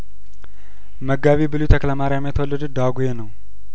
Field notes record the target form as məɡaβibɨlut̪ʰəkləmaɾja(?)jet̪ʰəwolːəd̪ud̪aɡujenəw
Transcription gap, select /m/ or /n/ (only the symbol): m